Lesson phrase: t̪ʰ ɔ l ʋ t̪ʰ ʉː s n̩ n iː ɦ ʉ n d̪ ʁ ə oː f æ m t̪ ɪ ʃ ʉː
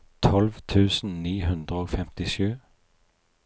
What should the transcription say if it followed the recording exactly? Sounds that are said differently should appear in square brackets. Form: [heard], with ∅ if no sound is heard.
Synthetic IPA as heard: t̪ʰ ɔ l ʋ t̪ʰ ʉː s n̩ n iː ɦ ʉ n d̪ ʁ ə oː f [ɛ] m t̪ ɪ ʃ ʉː